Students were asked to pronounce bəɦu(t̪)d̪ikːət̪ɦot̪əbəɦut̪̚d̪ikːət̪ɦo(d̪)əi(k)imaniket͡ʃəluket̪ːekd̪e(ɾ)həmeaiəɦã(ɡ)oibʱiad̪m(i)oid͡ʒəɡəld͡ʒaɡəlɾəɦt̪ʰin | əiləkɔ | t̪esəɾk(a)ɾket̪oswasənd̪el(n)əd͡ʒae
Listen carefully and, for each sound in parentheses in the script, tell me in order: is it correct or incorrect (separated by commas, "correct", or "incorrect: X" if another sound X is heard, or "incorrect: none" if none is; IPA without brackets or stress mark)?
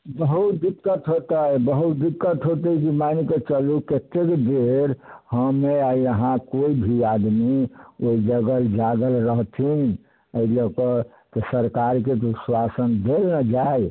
correct, incorrect: t̪, correct, correct, incorrect: k, correct, correct, correct